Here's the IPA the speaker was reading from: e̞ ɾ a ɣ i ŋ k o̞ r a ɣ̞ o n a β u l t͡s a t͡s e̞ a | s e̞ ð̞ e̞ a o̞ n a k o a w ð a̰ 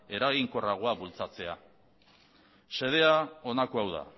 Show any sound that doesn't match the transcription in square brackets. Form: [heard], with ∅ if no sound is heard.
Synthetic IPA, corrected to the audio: e̞ ɾ a ɣ i ŋ k o̞ r a ɣ̞ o [∅] a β u l t͡s a t͡s e̞ a | s e̞ ð̞ e̞ a o̞ n a k o a w ð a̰